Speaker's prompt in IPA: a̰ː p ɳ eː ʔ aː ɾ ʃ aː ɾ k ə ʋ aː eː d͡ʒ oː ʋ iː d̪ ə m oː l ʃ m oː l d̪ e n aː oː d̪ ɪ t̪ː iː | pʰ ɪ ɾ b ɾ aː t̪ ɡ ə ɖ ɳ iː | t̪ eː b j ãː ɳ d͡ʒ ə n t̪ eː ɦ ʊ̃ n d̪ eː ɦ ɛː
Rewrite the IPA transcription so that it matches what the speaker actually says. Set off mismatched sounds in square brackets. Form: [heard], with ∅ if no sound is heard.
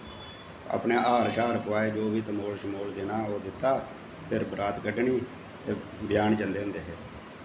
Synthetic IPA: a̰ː p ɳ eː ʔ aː ɾ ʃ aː ɾ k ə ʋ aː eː d͡ʒ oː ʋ iː [t̪] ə m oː l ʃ m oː l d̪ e n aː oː d̪ ɪ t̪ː [aː] | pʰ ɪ ɾ b ɾ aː t̪ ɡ ə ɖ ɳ iː | t̪ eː b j [aː] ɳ d͡ʒ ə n [d̪] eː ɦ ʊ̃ n d̪ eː ɦ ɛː